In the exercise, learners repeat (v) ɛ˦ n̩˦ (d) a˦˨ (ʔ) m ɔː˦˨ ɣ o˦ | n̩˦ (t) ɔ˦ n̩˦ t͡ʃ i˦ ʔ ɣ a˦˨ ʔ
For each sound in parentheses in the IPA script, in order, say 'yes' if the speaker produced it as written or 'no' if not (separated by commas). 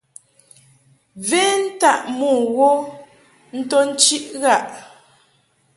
yes, no, yes, yes